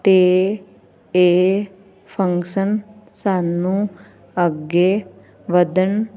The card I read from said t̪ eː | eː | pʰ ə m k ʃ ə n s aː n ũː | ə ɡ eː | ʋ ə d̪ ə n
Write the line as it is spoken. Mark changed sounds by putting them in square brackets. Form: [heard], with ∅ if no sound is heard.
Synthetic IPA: t̪ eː | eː | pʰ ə [ŋ] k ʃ ə n s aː n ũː | ə ɡ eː | ʋ ə d̪ ə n